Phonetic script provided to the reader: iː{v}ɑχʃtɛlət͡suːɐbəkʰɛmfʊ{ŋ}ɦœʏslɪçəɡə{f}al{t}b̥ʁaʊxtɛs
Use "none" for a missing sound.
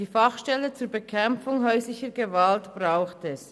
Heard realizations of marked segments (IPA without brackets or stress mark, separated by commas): f, ŋ, v, t